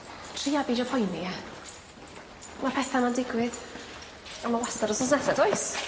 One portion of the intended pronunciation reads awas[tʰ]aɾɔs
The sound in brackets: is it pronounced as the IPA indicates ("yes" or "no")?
no